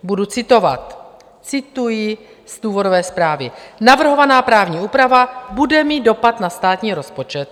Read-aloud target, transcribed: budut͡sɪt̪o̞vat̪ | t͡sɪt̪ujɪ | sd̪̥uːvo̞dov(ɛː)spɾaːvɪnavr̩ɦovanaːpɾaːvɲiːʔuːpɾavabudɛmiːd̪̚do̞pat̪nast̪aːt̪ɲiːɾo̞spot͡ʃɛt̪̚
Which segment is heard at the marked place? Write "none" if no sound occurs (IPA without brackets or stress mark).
ɛː